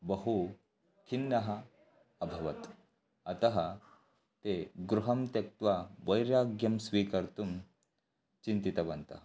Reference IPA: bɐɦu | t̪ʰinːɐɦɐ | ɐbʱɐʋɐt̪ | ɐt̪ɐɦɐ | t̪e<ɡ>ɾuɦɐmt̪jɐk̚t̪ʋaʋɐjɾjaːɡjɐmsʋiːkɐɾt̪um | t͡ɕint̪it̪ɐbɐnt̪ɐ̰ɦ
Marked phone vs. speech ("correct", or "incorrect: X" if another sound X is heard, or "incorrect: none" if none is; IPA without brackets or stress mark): correct